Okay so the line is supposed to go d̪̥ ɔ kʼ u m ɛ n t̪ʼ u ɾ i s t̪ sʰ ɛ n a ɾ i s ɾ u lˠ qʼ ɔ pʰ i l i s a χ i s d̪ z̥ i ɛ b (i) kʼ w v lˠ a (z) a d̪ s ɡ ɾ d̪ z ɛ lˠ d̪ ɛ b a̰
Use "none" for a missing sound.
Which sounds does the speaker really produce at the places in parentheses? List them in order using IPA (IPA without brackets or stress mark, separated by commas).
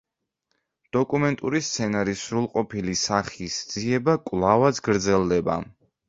a, v